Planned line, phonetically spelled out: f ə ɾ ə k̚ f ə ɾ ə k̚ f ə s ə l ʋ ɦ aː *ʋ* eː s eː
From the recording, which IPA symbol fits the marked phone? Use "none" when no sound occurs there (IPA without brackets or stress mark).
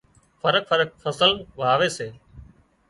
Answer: ʋ